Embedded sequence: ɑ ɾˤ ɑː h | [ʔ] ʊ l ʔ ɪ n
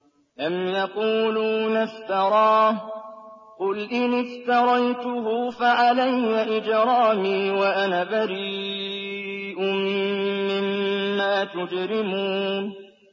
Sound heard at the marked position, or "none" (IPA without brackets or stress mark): q